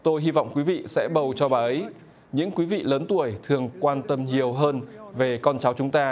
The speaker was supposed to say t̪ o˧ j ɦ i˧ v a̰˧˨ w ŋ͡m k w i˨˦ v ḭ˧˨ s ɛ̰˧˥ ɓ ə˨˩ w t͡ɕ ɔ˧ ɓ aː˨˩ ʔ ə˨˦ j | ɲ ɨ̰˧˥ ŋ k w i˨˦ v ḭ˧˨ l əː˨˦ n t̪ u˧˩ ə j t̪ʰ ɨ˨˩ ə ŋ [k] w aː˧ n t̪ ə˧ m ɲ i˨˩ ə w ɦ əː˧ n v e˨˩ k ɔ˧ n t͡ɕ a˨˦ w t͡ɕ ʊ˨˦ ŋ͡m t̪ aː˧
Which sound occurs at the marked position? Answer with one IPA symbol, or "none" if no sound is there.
k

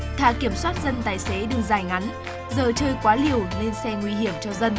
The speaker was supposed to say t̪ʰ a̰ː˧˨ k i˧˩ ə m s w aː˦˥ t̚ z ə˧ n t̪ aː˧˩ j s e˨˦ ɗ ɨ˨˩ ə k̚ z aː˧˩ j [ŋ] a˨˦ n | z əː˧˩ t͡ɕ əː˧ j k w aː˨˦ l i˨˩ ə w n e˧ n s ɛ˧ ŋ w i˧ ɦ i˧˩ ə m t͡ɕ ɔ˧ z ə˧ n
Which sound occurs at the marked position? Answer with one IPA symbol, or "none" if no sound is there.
ŋ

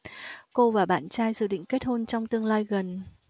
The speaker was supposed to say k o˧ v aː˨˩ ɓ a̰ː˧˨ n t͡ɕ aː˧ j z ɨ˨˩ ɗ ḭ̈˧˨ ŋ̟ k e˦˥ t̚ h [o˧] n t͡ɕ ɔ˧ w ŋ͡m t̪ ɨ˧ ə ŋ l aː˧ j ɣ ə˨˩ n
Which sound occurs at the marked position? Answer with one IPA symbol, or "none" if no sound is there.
o˧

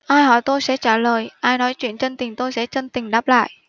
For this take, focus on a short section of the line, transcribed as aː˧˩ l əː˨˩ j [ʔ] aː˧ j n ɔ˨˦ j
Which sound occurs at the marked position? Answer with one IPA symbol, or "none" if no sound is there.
ʔ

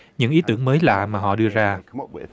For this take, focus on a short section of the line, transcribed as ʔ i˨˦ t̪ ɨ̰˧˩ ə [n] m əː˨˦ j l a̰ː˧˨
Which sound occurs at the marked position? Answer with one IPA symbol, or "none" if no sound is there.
ŋ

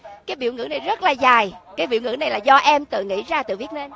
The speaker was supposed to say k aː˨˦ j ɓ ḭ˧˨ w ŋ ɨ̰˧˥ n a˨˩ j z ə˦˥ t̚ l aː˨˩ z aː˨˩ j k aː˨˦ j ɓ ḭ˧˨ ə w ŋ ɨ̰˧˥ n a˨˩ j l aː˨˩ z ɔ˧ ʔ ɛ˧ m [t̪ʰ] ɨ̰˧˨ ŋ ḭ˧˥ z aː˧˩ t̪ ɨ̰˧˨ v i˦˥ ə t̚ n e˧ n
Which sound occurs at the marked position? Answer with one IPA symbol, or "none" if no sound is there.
t̪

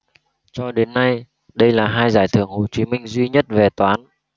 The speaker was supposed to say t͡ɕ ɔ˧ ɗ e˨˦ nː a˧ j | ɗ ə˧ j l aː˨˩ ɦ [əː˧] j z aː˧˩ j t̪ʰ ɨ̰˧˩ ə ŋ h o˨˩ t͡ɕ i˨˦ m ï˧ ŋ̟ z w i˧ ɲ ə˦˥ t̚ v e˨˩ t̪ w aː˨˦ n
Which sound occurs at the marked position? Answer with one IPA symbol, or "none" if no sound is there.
aː˧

